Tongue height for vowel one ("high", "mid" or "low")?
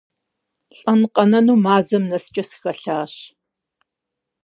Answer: low